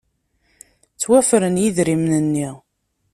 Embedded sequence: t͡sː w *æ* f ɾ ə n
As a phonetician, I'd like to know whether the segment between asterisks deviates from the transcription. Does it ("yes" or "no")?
no